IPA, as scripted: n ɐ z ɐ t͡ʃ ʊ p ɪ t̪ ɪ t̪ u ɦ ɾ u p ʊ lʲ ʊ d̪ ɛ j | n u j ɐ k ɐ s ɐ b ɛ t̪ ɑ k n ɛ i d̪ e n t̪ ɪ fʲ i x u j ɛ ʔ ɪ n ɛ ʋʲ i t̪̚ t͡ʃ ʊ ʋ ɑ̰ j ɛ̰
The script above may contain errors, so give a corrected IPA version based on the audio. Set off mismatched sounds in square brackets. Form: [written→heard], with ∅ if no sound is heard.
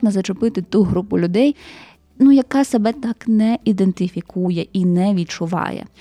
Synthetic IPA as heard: n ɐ z ɐ t͡ʃ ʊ p ɪ t̪ ɪ t̪ u ɦ ɾ u p ʊ lʲ ʊ d̪ ɛ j | n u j ɐ k [ɐ→ɑ] s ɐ b ɛ t̪ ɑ k n ɛ i d̪ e n t̪ ɪ fʲ i [x→k] u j ɛ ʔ [ɪ→i] n ɛ ʋʲ i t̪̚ t͡ʃ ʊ ʋ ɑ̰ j ɛ̰